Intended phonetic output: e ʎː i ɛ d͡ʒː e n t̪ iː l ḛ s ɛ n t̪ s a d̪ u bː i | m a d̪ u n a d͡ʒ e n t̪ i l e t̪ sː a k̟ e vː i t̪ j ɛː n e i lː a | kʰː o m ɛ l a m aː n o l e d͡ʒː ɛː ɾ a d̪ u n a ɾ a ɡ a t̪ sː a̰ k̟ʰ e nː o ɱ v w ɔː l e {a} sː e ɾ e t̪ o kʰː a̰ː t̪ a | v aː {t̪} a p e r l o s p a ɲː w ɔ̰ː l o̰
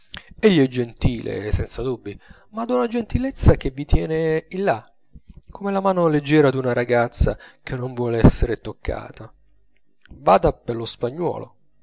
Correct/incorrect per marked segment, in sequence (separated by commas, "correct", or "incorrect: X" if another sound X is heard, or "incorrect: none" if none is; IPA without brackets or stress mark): incorrect: ɛ, incorrect: d̪